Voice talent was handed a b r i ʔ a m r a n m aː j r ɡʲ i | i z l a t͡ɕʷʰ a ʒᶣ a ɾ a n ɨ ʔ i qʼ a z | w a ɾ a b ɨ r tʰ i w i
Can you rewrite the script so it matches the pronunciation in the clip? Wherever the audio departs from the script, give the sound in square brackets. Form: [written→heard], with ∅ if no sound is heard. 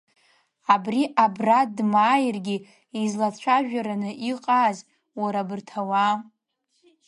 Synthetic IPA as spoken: a b r i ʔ a [m→b] r a [n→d] m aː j r ɡʲ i | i z l a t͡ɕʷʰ a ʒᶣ a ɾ a n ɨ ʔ i qʼ a z | w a ɾ a b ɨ r tʰ [i→a] w [i→a]

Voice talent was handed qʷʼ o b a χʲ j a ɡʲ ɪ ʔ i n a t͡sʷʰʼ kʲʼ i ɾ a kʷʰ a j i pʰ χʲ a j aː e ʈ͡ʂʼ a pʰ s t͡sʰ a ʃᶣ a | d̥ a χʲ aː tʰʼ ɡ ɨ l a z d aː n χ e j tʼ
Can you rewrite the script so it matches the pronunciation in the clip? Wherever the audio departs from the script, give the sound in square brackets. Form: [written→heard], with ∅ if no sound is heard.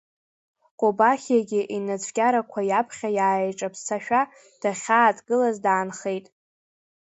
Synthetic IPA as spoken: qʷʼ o b a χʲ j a ɡʲ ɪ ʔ i n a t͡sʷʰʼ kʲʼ [i→a] ɾ a kʷʰ a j [i→a] pʰ χʲ a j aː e ʈ͡ʂʼ a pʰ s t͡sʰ a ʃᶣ a | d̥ a χʲ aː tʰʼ ɡ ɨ l a z d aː n χ e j tʼ

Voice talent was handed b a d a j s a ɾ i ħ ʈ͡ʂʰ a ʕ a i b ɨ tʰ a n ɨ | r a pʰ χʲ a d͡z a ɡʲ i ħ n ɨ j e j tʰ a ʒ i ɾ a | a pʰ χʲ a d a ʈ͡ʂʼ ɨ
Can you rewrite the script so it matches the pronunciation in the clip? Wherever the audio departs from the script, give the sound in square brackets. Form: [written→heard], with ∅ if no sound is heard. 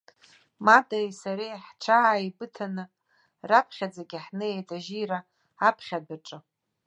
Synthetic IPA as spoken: [b→m] a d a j s a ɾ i ħ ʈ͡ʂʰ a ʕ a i b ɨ tʰ a n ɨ | r a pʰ χʲ a d͡z a ɡʲ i ħ n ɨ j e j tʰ a ʒ i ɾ a | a pʰ χʲ a d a ʈ͡ʂʼ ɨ

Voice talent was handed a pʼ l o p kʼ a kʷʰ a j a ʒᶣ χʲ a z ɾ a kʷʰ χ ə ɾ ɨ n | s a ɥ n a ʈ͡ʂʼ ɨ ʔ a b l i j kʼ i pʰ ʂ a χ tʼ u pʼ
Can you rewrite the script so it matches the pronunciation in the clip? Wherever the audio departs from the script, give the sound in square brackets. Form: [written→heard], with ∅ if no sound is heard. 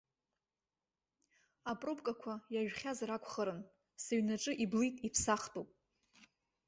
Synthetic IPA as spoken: a pʼ [l→r] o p kʼ a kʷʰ a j a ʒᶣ χʲ a z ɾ a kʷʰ χ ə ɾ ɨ n | s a ɥ n a ʈ͡ʂʼ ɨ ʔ [a→i] b l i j [kʼ→tʼ] i pʰ [ʂ→s] a χ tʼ u pʼ

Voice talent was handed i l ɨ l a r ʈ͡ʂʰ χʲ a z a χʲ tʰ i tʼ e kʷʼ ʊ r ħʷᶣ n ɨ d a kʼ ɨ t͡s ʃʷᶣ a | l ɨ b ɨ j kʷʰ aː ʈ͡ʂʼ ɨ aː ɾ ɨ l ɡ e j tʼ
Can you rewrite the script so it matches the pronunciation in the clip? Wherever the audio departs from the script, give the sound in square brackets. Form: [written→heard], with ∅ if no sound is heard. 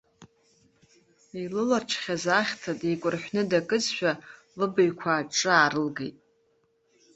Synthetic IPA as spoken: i l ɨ l a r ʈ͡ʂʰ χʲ a z a χʲ tʰ [i→a] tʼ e kʷʼ ʊ r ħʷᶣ n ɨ d a kʼ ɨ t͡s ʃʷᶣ a | l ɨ b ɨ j kʷʰ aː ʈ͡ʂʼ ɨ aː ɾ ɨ l ɡ e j tʼ

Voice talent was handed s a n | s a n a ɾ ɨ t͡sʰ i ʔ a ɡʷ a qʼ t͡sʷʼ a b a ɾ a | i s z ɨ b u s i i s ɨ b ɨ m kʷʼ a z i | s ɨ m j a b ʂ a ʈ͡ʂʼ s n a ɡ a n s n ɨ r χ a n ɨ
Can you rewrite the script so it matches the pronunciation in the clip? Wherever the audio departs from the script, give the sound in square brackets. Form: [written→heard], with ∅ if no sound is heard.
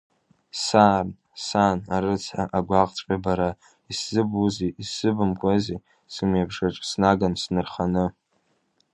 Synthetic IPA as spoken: s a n | s a n a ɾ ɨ t͡sʰ [i→a] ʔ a ɡʷ a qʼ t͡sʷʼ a b a ɾ a | i s z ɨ b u [s→z] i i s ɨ b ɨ m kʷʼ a z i | s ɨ m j a b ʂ a ʈ͡ʂʼ s n a ɡ a n s n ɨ r χ a n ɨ

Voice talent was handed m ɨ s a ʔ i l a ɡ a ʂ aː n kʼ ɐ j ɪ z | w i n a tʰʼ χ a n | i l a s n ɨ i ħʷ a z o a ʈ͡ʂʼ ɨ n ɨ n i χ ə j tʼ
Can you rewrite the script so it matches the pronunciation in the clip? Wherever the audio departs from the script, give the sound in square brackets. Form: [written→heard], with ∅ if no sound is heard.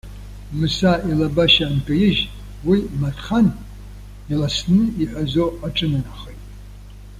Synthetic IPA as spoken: m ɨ s a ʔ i l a [ɡ→b] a [ʂ→ʃ] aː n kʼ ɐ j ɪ [z→ʒ] | w i [n→m] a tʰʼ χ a n | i l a s n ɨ i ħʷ a z o a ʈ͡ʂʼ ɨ n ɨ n [i→a] χ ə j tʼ

